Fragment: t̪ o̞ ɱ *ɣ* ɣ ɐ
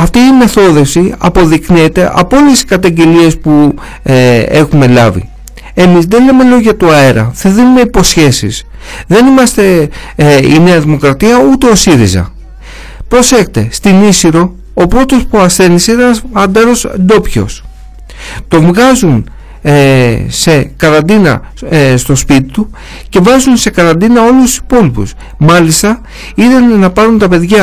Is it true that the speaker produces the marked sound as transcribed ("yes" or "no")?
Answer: no